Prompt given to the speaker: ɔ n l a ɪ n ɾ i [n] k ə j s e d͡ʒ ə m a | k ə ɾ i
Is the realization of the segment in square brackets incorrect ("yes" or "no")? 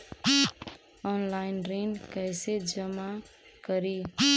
no